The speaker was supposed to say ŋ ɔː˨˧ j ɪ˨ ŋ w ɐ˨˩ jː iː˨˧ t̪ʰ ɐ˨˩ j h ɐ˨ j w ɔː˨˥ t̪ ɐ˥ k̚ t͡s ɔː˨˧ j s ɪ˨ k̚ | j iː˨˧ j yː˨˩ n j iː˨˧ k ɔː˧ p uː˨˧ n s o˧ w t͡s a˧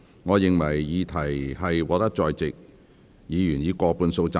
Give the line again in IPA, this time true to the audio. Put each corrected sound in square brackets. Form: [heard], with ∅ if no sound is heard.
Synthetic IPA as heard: ŋ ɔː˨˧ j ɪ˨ ŋ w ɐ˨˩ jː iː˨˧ t̪ʰ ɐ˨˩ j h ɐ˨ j w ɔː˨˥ t̪ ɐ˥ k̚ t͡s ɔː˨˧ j [t͡s] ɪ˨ k̚ | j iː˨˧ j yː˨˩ n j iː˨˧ k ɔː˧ p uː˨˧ n s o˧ w t͡s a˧